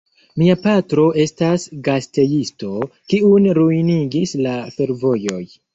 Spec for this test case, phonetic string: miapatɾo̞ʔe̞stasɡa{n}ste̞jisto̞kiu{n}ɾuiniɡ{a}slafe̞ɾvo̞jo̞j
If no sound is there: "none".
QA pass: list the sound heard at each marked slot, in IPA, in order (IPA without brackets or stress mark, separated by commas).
none, n, i